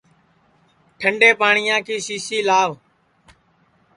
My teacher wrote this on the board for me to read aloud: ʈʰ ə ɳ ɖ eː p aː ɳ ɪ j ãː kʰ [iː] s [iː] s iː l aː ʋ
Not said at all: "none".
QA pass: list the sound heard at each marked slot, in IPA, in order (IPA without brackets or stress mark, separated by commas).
iː, iː